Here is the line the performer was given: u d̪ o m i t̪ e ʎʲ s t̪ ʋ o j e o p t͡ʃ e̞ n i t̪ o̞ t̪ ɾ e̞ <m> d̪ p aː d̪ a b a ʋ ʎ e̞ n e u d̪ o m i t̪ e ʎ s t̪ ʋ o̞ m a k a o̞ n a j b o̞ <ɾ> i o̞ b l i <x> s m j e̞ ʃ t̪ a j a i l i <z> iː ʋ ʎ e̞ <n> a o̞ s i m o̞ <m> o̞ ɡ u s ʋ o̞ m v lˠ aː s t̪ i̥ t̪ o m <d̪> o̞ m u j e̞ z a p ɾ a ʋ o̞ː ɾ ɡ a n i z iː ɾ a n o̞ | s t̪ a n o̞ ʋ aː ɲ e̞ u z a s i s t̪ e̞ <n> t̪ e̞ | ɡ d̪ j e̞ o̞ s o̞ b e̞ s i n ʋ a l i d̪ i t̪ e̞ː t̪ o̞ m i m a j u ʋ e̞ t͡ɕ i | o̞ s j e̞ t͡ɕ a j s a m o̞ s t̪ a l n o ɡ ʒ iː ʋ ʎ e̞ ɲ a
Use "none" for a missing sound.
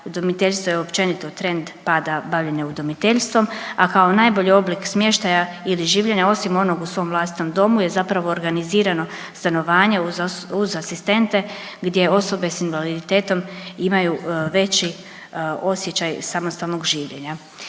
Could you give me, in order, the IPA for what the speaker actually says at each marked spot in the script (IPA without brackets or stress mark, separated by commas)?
n, ʎ, k, ʒ, ɲ, n, d̪, n